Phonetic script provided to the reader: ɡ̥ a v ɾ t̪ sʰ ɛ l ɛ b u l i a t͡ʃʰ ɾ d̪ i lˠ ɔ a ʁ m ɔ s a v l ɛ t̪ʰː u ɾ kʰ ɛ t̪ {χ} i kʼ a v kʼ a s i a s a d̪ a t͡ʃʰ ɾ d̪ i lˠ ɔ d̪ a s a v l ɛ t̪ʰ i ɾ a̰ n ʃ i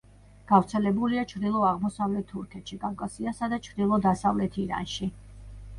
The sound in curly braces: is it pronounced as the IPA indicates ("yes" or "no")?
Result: no